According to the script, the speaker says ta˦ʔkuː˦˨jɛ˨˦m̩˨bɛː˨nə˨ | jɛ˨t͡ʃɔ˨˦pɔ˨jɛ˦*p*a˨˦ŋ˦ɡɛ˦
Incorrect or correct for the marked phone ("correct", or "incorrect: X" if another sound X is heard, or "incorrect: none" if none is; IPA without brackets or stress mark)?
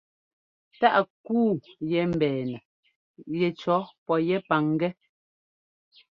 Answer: correct